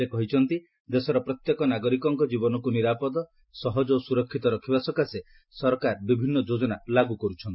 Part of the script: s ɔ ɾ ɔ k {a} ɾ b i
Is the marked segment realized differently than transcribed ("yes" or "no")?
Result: no